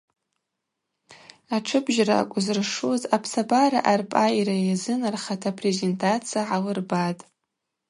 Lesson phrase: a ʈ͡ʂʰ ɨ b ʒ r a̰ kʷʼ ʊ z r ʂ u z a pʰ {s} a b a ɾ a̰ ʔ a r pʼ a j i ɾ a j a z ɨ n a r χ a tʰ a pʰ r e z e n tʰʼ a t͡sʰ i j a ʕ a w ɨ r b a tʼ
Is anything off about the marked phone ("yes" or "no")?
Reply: no